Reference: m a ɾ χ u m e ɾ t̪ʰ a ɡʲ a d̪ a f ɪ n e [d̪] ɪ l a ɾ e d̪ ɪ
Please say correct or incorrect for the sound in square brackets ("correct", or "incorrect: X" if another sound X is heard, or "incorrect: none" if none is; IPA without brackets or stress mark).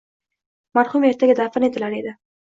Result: incorrect: t̪